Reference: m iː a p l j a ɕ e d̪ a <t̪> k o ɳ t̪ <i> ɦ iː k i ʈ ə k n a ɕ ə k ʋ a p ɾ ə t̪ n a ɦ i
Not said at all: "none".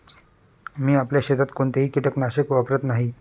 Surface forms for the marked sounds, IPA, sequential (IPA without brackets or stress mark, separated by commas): t̪, e